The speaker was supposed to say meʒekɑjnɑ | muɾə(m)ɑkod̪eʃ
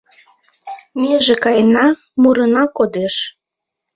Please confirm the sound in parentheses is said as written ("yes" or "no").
no